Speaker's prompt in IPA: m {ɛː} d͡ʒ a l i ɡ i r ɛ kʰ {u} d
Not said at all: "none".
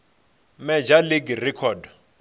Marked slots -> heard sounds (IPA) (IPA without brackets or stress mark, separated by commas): ɛ, ɔ